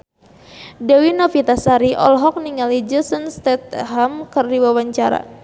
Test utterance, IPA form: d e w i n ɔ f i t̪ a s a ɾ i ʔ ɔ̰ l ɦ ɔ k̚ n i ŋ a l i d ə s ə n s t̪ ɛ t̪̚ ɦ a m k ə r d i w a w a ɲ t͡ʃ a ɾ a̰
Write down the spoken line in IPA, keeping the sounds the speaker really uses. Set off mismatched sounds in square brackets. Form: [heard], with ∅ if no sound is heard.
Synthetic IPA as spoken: d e w i n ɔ f i t̪ a s a ɾ i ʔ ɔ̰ l ɦ ɔ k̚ n i ŋ a l i [d͡ʒ] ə s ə n s t̪ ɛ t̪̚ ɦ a m k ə r d i w a w a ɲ t͡ʃ a ɾ a̰